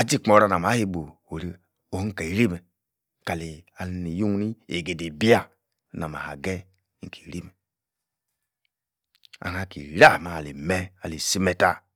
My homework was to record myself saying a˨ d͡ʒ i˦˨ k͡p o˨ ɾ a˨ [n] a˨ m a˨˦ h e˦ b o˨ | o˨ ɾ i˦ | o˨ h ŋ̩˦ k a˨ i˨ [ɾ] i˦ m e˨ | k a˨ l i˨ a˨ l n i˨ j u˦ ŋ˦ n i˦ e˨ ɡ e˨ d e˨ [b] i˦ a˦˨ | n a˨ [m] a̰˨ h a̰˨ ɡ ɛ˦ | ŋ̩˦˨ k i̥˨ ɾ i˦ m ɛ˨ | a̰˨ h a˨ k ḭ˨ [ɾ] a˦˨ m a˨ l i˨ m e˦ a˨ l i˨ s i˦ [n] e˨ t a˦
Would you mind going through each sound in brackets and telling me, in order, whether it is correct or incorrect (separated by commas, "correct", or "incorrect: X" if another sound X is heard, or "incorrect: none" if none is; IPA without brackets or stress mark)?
correct, correct, correct, correct, correct, incorrect: m